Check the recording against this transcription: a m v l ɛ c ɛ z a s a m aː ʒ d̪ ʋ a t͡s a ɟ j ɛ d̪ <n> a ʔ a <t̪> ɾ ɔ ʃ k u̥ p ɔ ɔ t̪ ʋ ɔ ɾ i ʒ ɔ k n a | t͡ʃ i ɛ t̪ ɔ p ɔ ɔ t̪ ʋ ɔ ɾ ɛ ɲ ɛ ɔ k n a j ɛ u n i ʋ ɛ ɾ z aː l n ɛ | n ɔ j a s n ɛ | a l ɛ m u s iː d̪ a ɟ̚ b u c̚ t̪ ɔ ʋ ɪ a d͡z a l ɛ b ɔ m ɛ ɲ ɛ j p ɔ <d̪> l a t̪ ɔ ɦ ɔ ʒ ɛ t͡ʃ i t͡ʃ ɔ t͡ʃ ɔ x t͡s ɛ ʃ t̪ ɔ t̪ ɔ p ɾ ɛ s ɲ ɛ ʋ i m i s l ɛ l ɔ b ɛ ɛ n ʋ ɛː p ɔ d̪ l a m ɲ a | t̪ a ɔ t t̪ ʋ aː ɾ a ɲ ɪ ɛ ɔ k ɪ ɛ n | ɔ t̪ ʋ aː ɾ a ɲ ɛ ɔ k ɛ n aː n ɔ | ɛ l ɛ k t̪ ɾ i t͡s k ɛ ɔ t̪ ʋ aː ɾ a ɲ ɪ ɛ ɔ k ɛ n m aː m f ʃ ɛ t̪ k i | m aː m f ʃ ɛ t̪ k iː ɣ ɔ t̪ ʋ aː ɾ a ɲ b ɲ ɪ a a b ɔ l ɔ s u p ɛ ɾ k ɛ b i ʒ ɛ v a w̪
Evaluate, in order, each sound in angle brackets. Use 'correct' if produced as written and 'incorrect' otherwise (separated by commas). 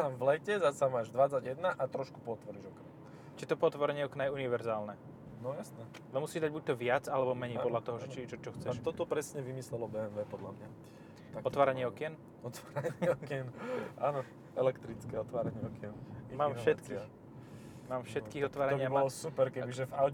correct, correct, correct